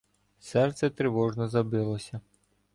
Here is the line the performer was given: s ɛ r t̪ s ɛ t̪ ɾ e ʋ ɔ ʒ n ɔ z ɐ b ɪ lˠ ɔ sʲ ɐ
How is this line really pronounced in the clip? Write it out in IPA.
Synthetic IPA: s ɛ r t̪ s ɛ t̪ ɾ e ʋ ɔ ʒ n ɔ z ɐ b ɪ lˠ ɔ sʲ ɐ

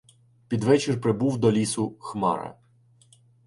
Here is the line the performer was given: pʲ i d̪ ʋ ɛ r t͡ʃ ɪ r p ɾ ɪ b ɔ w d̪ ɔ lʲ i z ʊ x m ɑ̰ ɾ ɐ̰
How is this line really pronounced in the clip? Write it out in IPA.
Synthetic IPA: pʲ i d̪ ʋ ɛ t͡ʃ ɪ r p ɾ ɪ b u w d̪ ɔ lʲ i s ʊ x m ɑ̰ ɾ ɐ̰

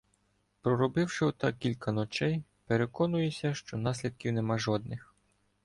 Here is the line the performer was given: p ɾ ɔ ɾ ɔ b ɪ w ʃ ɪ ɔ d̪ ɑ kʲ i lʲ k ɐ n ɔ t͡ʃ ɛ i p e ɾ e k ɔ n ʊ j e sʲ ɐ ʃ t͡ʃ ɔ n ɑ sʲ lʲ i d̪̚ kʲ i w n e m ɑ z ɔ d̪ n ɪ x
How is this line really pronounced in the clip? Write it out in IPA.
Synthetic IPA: p ɾ ɔ ɾ ɔ b ɪ w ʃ ɪ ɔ t̪ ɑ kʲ i lʲ k ɐ n ɔ t͡ʃ ɛ j p e ɾ e k ɔ n ʊ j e sʲ ɐ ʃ t͡ʃ ɔ n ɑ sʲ lʲ i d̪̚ kʲ i w n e m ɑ ʒ ɔ d̪ n ɪ x

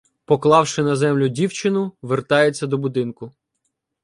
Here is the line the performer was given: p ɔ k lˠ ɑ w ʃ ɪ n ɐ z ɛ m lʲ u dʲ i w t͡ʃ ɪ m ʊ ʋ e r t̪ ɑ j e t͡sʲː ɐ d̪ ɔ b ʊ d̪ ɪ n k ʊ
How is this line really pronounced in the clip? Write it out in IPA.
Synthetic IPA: p ɔ k lˠ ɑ w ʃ ɪ n ɐ z ɛ m lʲ ʊ dʲ i w t͡ʃ ɪ n ʊ ʋ e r t̪ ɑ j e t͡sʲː ɐ d̪ ɔ b ʊ d̪ ɪ n k ʊ

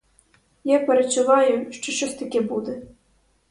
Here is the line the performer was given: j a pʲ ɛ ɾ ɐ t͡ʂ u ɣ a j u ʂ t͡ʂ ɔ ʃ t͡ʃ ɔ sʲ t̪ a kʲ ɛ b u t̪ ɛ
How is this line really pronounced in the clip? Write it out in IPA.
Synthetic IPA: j a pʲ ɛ ɾ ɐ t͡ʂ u v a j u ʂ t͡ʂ ɔ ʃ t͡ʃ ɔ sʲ t̪ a kʲ ɛ b u d̪ ɛ

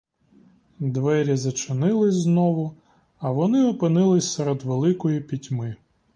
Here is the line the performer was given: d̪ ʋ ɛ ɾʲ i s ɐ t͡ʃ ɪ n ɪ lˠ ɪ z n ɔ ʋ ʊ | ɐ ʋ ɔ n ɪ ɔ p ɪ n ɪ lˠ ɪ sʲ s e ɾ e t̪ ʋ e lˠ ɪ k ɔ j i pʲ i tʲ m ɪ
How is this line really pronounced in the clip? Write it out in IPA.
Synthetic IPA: d̪ ʋ ɛ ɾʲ i z ɐ t͡ʃ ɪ n ɪ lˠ ɪ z n ɔ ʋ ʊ | ɐ ʋ ɔ n ɪ ɔ p ɪ n ɪ lˠ ɪ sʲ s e ɾ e d̪ ʋ e lˠ ɪ k ɔ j i pʲ i tʲ m ɪ

